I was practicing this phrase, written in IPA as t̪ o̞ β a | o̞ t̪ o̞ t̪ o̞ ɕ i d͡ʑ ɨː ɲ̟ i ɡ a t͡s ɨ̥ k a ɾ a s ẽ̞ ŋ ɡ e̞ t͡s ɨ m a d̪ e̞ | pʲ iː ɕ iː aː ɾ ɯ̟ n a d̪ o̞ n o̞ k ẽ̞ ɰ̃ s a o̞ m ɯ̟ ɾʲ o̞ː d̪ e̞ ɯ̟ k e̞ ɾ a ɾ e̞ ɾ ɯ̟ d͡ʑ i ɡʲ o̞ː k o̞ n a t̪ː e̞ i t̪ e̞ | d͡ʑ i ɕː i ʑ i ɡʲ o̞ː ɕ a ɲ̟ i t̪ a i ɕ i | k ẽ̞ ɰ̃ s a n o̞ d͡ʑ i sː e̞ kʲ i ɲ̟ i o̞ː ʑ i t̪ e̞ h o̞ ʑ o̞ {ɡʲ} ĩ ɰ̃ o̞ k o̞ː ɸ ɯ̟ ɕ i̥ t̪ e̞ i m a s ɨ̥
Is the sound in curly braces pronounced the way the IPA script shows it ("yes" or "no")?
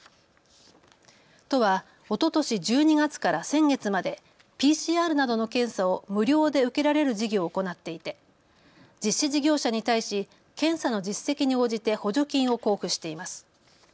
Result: no